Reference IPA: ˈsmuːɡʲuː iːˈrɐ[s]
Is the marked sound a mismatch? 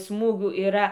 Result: yes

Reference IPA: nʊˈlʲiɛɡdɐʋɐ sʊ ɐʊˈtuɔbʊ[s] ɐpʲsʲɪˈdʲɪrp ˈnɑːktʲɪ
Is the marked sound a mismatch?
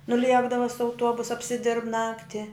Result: no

